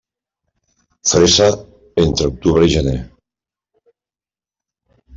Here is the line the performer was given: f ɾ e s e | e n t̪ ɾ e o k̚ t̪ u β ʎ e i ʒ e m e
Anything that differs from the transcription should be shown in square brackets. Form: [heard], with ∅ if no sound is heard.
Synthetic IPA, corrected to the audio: f ɾ e s [a] | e n t̪ ɾ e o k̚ t̪ u β [ɾ] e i ʒ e [n] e